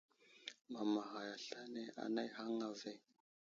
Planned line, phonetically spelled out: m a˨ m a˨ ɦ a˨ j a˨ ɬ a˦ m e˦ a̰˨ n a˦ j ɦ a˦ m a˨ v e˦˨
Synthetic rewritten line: m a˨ m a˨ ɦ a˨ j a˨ ɬ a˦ n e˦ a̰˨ n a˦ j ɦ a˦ ŋ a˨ v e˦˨